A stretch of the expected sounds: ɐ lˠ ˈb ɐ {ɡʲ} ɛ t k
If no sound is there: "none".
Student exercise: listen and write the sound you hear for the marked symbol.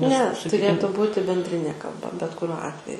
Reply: bʲ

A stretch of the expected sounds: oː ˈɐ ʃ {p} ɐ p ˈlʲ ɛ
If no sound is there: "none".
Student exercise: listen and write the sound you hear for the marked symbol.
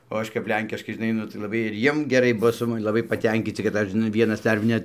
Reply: k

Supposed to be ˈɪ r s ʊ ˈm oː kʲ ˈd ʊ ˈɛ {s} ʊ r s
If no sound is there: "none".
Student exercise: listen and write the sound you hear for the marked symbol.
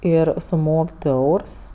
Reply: none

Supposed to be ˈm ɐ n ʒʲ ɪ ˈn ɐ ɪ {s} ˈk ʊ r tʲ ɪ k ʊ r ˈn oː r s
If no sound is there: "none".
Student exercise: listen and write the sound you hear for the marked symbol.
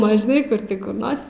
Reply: none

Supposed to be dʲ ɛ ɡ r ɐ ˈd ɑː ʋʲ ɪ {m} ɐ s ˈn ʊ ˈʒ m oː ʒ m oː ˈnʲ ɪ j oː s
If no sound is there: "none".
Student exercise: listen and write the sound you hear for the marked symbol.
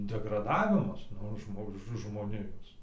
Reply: m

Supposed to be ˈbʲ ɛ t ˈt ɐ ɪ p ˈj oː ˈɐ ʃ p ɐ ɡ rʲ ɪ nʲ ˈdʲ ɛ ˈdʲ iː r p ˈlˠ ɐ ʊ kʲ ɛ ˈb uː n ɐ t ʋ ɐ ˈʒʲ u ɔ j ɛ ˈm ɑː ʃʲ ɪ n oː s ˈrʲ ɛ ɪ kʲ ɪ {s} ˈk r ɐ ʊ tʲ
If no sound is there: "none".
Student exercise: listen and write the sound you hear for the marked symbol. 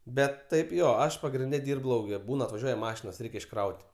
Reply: ʃ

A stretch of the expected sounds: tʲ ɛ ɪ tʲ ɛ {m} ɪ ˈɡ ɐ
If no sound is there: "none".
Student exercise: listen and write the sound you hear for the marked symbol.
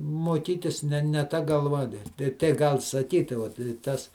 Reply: none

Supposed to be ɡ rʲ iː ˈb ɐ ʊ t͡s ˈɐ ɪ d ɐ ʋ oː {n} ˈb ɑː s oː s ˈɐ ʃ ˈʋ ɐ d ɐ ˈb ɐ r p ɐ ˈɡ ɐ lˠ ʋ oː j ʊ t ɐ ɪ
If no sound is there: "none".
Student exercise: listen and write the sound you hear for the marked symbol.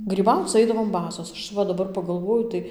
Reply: m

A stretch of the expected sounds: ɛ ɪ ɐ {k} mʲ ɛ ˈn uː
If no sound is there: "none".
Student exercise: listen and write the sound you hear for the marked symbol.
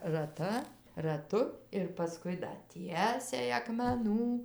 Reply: k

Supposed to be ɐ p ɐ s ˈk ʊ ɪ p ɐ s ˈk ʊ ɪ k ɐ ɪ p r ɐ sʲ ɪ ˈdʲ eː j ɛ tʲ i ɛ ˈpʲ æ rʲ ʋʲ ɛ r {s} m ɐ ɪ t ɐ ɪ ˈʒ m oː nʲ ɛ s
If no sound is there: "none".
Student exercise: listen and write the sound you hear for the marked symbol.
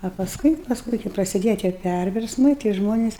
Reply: s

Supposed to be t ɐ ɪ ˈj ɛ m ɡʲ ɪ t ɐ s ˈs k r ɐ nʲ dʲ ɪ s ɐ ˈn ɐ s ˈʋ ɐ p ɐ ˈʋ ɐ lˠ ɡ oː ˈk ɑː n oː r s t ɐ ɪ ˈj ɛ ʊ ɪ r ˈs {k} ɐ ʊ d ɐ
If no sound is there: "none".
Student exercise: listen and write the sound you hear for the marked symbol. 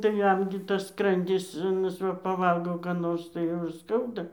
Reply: k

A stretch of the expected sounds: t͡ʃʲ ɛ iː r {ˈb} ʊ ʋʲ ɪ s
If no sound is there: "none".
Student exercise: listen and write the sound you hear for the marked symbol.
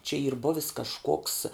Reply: b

